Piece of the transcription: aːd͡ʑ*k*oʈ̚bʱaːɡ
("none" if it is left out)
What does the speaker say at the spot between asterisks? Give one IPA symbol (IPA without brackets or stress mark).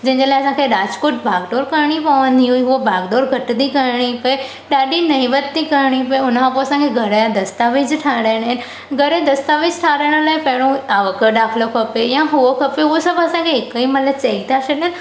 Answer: k